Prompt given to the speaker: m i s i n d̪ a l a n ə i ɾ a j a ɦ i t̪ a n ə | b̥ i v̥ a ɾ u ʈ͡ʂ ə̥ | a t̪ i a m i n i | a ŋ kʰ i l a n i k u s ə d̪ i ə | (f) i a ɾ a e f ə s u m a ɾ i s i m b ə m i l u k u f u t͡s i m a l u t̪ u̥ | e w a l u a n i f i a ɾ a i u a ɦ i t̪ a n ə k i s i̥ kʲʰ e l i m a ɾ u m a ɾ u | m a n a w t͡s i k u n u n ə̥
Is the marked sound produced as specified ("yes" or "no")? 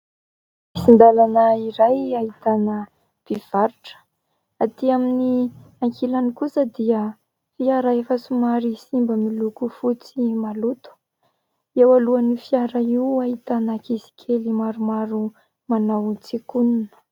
yes